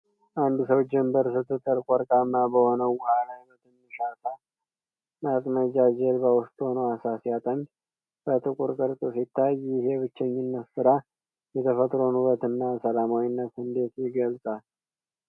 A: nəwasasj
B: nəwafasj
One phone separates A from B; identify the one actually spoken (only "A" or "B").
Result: A